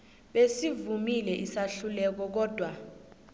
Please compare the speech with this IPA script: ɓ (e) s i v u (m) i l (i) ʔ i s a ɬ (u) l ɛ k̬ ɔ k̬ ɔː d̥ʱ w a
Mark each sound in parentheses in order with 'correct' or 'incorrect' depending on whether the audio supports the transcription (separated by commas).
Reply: correct, correct, incorrect, correct